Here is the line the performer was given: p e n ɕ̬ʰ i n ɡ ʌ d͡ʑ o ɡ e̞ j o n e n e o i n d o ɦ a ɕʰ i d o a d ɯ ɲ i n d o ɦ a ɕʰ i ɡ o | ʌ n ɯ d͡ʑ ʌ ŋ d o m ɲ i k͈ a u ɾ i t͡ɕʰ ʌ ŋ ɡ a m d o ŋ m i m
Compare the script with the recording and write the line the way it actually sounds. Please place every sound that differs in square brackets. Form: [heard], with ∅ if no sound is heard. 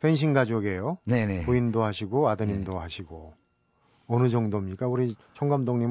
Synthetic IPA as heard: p e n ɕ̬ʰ i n ɡ [a] d͡ʑ o ɡ e̞ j o n e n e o i n d o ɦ a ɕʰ i [ɡ] o a d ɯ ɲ i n d o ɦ a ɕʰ i ɡ o | ʌ n ɯ d͡ʑ ʌ ŋ d o m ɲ i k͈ a u ɾ i t͡ɕʰ ʌ ŋ ɡ a m d o ŋ [ɲ] i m